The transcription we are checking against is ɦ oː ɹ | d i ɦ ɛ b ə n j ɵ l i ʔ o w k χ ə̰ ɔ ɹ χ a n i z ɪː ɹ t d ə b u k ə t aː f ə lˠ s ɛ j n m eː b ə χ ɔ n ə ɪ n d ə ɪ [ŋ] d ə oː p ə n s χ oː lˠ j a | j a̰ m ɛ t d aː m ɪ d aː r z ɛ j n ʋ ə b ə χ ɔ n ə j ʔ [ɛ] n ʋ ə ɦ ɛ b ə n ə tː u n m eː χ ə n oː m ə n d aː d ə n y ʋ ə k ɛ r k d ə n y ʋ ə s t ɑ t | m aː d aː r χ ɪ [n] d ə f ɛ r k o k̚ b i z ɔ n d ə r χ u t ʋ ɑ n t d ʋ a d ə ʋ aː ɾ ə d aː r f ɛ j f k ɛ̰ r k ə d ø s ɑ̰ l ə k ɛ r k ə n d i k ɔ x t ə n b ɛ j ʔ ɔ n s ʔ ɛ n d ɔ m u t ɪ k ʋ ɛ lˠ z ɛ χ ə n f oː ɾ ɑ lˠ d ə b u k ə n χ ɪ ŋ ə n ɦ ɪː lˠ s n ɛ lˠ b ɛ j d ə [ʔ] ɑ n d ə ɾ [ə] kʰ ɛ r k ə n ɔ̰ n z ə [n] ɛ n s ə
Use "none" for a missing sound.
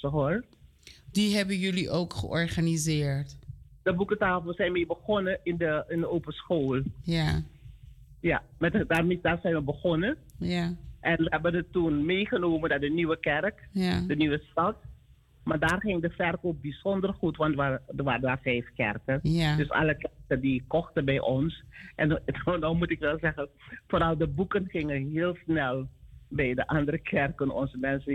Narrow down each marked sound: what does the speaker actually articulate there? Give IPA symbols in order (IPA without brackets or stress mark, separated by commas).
n, ɛ, ŋ, ʔ, ə, m